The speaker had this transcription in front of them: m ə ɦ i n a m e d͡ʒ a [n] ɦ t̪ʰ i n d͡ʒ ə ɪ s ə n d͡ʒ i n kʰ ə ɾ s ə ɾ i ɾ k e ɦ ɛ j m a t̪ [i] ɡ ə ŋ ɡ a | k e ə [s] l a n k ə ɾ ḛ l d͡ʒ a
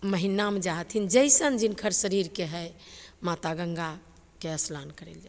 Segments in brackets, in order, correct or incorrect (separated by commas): incorrect, incorrect, correct